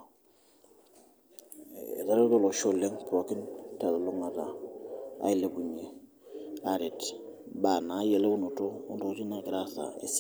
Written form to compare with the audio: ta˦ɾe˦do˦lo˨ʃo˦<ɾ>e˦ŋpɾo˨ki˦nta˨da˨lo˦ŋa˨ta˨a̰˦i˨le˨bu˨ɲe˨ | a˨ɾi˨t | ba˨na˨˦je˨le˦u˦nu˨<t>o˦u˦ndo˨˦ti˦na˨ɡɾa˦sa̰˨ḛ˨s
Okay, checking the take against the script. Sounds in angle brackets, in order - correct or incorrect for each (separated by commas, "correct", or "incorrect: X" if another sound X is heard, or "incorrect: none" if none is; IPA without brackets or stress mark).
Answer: incorrect: l, correct